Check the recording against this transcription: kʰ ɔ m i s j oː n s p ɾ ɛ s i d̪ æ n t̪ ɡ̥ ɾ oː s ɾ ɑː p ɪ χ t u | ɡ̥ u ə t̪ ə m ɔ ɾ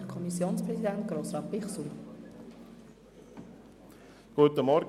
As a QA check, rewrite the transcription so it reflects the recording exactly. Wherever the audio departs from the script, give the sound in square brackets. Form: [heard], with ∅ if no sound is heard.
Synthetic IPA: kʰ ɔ m i s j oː n s p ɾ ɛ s i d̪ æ n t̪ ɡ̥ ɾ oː s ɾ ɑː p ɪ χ [s] u | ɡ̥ u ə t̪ ə m ɔ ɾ